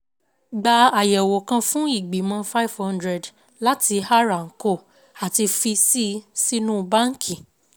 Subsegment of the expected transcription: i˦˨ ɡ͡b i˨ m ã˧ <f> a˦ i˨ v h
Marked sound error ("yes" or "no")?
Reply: no